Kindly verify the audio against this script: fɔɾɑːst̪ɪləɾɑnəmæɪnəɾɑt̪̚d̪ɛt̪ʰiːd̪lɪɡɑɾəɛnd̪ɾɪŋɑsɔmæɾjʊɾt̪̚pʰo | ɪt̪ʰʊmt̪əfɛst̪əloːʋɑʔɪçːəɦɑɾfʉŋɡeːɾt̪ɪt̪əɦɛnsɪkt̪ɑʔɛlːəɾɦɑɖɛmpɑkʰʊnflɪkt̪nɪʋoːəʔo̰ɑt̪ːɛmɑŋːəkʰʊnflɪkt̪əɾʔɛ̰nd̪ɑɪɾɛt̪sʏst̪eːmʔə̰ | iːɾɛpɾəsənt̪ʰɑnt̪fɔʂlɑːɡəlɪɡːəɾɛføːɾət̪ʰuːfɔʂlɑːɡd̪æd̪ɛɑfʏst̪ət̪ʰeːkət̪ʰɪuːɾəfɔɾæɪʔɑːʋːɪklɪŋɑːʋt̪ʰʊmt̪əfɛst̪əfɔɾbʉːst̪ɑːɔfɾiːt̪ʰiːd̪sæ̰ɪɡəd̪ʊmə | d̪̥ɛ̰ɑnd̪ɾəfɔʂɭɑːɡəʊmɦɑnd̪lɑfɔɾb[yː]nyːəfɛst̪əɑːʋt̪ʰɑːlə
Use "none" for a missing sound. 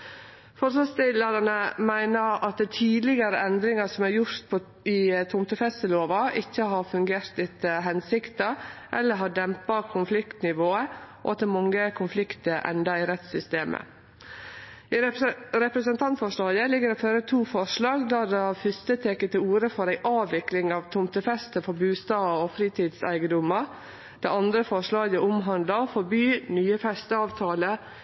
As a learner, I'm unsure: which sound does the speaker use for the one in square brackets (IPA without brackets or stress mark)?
yː